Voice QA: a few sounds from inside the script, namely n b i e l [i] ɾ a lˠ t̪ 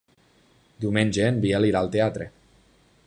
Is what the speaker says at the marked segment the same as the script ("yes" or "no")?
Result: yes